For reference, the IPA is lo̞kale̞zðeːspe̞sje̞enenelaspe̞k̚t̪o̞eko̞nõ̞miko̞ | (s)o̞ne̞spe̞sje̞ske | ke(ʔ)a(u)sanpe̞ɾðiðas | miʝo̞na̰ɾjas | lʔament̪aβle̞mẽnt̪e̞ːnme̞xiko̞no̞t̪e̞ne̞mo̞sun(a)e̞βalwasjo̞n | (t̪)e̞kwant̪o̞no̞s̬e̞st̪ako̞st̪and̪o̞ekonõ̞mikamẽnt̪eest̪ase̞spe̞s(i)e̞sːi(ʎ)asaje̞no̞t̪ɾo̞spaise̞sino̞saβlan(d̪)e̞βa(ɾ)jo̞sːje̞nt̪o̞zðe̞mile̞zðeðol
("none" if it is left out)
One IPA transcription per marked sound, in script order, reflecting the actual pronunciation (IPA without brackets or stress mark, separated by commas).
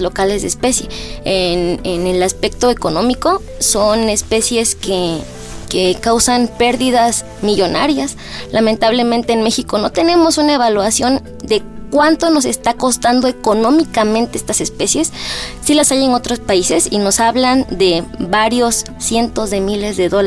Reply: s, k, w, a, d̪, j, l, d̪, ɾ